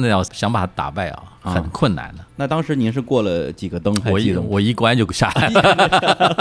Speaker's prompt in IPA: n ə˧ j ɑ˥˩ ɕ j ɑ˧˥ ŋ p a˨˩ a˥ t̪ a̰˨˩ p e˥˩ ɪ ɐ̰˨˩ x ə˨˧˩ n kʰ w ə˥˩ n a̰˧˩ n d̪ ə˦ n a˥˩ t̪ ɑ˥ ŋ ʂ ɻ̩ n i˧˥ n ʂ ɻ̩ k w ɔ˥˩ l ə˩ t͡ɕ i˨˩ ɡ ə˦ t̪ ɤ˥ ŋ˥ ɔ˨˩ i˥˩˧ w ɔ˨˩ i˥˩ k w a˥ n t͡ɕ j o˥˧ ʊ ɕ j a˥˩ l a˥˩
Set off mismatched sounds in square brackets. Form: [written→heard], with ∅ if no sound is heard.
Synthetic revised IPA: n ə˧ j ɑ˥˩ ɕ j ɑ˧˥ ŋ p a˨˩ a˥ t̪ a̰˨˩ p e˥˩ ɪ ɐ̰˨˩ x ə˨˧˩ n kʰ w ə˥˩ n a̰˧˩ n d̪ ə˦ n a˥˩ t̪ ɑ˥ ŋ ʂ ɻ̩ n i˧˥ n ʂ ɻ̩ k w ɔ˥˩ l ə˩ t͡ɕ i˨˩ ɡ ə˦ t̪ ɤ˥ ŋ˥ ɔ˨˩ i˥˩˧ w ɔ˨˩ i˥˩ k w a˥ n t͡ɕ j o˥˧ ʊ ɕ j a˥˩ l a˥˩